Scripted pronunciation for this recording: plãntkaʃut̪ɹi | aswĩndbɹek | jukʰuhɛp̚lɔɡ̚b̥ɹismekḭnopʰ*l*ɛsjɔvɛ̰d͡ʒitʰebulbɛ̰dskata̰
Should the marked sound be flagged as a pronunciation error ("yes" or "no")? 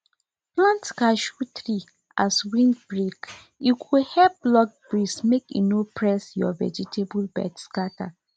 yes